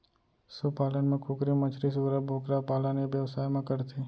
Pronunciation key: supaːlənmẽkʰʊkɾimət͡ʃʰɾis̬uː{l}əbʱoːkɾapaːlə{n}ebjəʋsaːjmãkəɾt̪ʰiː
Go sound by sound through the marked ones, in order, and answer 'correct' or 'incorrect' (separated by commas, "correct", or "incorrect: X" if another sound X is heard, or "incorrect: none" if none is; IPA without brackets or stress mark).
incorrect: ɾ, correct